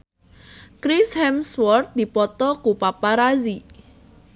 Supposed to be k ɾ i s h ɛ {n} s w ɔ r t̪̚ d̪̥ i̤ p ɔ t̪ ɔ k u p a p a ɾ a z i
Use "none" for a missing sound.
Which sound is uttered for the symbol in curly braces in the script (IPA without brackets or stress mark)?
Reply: m